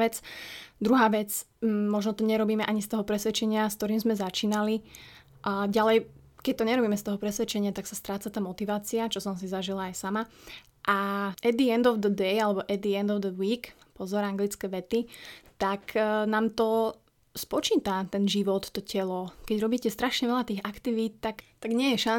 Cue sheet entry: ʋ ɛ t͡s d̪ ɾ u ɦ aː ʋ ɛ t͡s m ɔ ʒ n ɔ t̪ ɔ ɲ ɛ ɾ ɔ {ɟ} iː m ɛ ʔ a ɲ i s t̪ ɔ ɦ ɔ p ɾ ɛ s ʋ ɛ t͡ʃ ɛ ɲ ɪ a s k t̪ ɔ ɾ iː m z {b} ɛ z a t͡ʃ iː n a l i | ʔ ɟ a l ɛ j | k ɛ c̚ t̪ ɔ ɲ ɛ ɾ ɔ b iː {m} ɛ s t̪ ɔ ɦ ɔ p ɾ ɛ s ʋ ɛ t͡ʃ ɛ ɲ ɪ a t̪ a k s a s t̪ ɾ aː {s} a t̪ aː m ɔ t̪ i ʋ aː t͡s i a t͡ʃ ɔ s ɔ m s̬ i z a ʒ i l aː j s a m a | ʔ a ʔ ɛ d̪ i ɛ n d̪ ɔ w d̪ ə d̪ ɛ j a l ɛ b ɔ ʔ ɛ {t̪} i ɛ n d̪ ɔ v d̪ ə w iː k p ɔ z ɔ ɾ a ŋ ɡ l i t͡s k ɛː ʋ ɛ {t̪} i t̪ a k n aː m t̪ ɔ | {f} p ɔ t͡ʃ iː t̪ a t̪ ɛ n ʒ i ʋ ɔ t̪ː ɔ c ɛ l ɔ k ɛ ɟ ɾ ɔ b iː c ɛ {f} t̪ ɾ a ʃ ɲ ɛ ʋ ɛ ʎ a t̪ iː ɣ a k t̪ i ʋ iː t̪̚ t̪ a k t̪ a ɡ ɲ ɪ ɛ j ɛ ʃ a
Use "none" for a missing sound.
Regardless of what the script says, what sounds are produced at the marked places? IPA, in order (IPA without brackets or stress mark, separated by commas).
b, m, m, t͡s, d̪, t̪, s, s